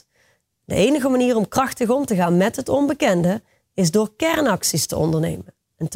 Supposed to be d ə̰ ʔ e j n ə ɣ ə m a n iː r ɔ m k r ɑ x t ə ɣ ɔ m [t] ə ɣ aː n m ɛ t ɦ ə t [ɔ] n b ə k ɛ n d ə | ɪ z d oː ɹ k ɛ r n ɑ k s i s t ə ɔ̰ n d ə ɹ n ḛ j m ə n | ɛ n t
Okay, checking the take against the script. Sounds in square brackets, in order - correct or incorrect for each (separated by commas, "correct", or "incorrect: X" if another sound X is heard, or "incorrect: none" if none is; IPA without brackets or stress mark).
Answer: correct, correct